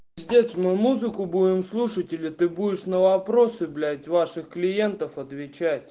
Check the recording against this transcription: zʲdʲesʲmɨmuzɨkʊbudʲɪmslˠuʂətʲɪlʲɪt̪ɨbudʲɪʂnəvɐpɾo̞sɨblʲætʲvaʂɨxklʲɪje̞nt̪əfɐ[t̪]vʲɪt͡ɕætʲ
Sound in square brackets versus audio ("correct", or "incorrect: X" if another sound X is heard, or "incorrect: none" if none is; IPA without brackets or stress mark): correct